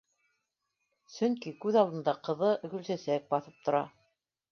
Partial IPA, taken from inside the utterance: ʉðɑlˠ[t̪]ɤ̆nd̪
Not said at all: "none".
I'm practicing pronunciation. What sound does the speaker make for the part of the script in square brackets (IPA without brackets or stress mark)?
d̪